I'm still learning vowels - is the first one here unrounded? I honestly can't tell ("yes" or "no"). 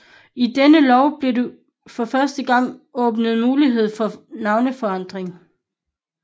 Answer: yes